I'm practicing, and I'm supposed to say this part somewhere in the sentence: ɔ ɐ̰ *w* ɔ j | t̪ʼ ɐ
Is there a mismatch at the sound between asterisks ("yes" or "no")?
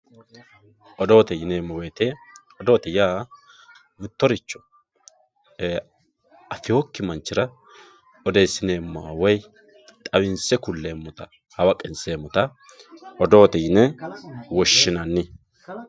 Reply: no